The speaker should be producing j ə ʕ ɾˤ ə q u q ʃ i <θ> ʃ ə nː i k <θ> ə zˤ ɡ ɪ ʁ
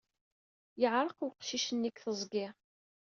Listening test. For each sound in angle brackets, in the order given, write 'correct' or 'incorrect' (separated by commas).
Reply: incorrect, correct